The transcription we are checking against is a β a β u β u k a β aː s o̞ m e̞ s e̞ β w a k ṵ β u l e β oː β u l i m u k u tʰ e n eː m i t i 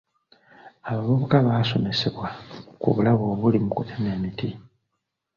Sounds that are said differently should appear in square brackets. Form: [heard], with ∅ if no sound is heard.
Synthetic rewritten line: a β a β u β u k a β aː s o̞ m e̞ s e̞ β w a k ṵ β u l [a] β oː β u l i m u k u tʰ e n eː m i t i

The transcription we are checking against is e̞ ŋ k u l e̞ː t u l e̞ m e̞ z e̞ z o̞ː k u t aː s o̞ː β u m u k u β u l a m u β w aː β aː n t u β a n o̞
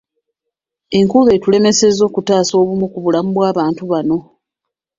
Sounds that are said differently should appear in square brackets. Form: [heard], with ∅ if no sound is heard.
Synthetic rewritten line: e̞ ŋ k u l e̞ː t u l e̞ m e̞ [s] e̞ z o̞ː k u t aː s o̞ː β u m u k u β u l a m u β w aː β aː n t u β a n o̞

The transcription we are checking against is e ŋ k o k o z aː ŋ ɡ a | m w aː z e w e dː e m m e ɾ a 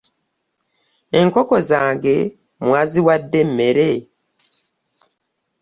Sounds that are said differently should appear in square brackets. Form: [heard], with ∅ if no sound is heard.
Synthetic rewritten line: e ŋ k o k o z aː ŋ ɡ [e] | m w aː z [i] w [a] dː e m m e ɾ [e]

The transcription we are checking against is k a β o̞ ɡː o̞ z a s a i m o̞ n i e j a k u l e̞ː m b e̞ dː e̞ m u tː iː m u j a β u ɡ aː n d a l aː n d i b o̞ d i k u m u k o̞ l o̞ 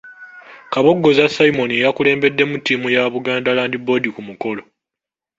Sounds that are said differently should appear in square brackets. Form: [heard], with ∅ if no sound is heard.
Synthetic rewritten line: k a β o̞ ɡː o̞ z a s a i m o̞ n i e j a k u l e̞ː m b e̞ dː e̞ m u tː iː m u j a β u ɡ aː n d a l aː n d i b o̞ d i k u m u k o̞ l o̞

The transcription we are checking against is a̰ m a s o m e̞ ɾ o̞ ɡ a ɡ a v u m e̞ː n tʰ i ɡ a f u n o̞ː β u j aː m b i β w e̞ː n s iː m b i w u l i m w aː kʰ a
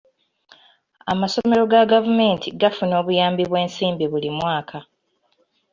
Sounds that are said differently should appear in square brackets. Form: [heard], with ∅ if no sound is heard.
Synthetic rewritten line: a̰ m a s o m e̞ ɾ o̞ ɡ a ɡ a v u m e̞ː n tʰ i ɡ a f u n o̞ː β u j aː m b i β w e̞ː n s iː m b i [β] u l i m w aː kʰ a

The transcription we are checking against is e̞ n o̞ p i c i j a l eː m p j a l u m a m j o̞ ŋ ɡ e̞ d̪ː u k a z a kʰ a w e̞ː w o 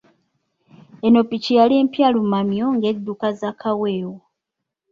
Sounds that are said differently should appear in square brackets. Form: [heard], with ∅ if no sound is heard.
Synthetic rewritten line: e̞ n o̞ p i c i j a l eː m p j a l u m a m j o̞ ŋ ɡ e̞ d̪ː u k a z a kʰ a w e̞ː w o

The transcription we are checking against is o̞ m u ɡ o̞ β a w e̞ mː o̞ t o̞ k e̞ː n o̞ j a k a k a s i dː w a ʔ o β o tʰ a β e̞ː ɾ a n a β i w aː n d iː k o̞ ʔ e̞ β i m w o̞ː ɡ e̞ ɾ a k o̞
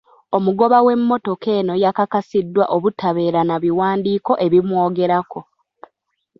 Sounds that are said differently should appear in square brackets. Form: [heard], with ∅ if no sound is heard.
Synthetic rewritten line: o̞ m u ɡ o̞ β a w e̞ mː o̞ t o̞ k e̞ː n o̞ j a k a k a s i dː w a ʔ o β [u] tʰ a β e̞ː ɾ a n a β i w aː n d iː k o̞ ʔ e̞ β i m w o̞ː ɡ e̞ ɾ a k o̞

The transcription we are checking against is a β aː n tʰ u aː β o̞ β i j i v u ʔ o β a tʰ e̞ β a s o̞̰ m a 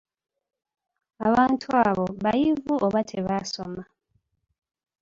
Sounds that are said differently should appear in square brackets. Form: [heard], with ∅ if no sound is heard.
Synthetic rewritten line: a β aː n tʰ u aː β o̞ β [a] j i v u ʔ o β a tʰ e̞ β a s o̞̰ m a

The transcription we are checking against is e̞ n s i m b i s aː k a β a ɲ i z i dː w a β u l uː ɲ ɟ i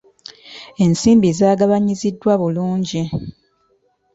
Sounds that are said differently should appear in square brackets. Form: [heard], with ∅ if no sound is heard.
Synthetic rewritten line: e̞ n s [iː] m b i [z] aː [ɡ] a β a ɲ i z i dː w a β u l uː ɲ ɟ i

